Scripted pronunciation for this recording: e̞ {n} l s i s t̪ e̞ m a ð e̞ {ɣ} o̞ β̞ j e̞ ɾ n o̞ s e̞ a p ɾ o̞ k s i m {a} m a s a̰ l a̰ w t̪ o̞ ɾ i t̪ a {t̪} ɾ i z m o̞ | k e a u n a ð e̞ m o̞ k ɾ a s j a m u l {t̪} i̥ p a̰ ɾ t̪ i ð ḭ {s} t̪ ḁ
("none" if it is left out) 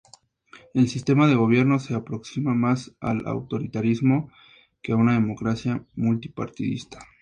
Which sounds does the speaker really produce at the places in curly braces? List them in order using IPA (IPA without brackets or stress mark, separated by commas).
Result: none, ɣ, a, none, t̪, s